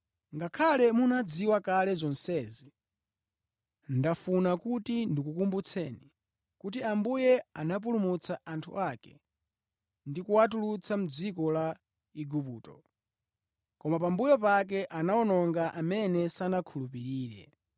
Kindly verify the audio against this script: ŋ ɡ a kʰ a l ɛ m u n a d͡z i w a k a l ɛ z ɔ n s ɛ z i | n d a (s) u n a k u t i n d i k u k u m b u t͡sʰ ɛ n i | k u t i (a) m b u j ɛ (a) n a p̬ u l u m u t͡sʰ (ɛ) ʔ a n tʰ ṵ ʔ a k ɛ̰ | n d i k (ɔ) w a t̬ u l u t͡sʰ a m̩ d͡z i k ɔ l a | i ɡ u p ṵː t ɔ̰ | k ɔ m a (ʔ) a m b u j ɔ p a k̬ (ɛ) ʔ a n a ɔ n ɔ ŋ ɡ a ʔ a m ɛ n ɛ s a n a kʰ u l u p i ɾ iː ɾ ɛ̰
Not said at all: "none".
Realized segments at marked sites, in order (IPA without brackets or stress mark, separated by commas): f, a, a, a, u, p, ɛ